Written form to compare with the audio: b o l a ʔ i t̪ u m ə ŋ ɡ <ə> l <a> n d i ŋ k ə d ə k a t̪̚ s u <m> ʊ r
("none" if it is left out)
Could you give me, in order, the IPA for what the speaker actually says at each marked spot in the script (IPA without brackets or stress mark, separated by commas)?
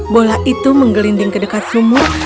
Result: ə, i, m